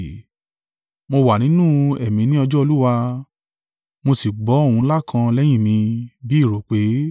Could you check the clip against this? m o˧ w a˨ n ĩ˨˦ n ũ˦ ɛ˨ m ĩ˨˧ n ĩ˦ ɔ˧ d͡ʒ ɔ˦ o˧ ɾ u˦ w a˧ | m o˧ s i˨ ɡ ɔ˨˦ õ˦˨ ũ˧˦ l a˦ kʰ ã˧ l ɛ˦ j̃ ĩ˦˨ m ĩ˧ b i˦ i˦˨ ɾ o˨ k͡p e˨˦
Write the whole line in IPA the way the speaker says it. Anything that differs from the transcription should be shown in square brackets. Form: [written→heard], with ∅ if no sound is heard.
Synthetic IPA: m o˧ w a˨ n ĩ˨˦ n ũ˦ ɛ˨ m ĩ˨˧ n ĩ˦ ɔ˧ d͡ʒ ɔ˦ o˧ [ɾ→l] u˦ w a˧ | m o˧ s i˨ [ɡ→ɡ͡b] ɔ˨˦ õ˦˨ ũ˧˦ l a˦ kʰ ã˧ l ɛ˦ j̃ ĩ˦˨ m ĩ˧ b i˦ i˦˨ ɾ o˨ k͡p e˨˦